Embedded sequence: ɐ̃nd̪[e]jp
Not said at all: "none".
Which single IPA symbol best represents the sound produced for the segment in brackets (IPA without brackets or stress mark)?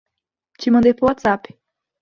e